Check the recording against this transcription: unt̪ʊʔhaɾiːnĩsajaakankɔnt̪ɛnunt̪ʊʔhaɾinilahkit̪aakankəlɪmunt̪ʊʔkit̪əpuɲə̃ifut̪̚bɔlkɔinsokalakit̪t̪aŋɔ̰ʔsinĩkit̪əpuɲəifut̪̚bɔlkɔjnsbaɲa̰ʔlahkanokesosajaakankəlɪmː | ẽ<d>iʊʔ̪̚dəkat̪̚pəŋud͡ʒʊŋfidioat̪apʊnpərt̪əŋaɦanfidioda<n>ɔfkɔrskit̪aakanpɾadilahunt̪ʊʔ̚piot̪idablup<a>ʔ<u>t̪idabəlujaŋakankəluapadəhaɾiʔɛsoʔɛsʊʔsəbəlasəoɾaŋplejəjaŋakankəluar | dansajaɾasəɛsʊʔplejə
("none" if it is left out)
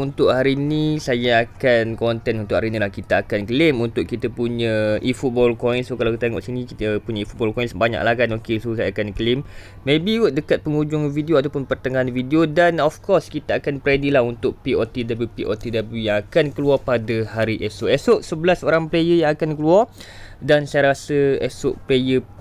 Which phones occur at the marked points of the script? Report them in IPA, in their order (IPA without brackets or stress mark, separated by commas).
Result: b, n, i, o